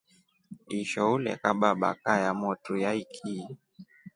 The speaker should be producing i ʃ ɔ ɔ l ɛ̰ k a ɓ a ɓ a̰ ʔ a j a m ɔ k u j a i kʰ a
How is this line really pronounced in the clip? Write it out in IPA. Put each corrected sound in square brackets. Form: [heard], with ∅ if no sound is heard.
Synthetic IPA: i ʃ ɔ [u] l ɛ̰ k a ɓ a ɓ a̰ [k] a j a m ɔ [t] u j a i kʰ [i]

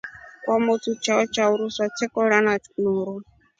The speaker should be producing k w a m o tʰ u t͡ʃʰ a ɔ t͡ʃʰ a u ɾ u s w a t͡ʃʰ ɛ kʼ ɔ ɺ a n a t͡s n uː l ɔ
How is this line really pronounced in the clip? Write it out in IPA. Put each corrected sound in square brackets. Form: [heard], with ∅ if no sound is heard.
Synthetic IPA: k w a m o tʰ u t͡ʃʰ a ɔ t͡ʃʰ a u ɾ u s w a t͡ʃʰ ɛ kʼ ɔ ɺ a n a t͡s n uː [ɾ] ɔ

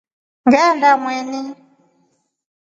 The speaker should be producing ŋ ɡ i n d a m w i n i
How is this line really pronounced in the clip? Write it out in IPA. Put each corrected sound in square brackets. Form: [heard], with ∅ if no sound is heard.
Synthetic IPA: ŋ ɡ [ɛ] n d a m w [ɛ] n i

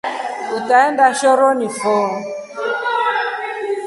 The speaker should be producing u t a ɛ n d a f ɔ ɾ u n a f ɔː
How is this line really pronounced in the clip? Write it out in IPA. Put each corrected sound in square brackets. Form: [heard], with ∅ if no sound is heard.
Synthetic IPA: u t a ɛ n d a [ʃ] ɔ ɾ [ɔ] n [i] f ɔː

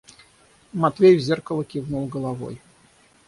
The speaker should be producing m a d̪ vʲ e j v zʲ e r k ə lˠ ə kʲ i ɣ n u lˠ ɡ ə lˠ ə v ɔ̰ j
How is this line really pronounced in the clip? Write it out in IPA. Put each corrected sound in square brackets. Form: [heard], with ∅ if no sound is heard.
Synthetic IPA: m a [t̪] vʲ e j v zʲ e r k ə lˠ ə kʲ i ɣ n u lˠ ɡ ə lˠ [a] v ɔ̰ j

